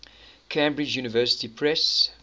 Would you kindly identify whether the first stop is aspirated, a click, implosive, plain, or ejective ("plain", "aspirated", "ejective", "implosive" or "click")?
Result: aspirated